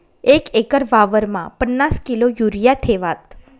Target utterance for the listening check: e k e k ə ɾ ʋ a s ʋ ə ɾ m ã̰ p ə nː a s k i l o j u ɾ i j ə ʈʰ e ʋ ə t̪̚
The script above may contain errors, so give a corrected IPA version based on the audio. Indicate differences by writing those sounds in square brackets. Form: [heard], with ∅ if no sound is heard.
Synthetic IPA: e k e k ə ɾ ʋ a [∅] ʋ ə ɾ m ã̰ p ə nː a s k i l o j u ɾ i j [a] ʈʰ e ʋ [a] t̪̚